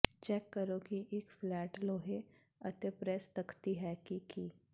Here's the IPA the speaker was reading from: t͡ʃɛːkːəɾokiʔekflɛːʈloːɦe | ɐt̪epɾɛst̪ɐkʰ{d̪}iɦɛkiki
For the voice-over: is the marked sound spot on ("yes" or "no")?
no